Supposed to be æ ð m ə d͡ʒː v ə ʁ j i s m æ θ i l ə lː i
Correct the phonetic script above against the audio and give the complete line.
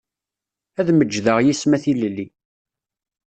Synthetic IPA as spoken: æ ð m ə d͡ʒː ð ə ʁ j i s m æ θ i l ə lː i